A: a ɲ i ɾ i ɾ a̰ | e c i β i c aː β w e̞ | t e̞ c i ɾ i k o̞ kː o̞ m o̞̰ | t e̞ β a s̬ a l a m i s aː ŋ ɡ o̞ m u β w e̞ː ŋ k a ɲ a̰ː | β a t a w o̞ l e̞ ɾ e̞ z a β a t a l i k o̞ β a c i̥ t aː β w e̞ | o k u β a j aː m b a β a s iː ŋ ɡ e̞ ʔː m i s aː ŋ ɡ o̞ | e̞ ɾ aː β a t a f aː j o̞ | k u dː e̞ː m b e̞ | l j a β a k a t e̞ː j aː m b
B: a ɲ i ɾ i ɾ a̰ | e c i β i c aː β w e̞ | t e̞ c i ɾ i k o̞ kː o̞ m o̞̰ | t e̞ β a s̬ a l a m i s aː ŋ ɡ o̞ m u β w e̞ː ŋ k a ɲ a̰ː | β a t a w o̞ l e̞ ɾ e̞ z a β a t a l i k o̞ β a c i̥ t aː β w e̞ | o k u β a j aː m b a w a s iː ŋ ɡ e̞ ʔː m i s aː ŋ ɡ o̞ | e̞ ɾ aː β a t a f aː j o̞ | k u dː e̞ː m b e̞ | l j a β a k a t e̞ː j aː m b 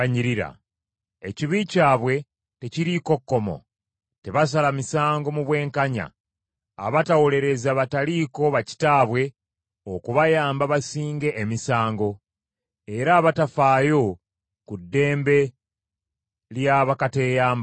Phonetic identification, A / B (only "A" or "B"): A